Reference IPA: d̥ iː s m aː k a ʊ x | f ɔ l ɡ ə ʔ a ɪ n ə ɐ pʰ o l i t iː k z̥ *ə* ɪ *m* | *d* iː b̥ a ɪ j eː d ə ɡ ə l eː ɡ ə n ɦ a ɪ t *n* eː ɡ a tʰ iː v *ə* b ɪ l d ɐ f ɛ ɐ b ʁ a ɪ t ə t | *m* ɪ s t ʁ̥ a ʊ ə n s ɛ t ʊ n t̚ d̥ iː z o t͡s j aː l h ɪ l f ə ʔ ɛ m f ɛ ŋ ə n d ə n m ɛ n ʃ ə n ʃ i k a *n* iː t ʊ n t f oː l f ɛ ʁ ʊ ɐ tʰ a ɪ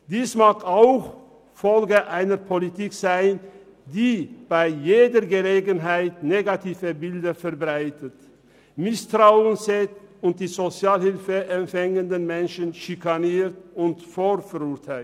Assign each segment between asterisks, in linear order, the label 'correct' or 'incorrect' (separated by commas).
incorrect, incorrect, correct, correct, correct, correct, correct